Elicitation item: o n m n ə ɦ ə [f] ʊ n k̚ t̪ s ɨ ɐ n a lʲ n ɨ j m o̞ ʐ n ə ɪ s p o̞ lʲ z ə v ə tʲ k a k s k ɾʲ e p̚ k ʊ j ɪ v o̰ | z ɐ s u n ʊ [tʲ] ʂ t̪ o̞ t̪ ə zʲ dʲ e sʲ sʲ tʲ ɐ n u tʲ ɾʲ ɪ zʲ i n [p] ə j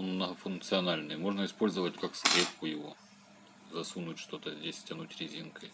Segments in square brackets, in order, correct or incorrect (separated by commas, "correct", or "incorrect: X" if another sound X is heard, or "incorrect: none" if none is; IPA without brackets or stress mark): correct, correct, incorrect: k